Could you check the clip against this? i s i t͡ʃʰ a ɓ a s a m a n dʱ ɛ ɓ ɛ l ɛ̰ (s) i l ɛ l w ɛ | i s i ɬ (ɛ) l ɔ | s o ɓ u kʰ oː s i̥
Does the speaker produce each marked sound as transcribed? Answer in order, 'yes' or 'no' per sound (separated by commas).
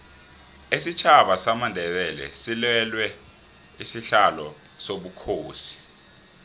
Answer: yes, no